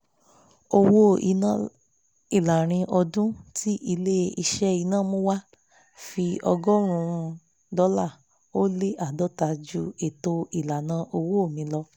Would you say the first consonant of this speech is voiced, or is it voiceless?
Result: voiced